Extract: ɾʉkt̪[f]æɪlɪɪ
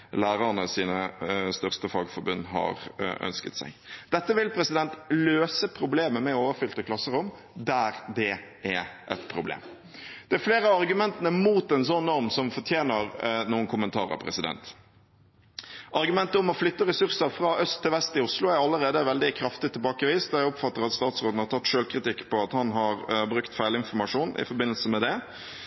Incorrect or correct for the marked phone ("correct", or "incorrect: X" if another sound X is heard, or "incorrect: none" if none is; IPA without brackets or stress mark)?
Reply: correct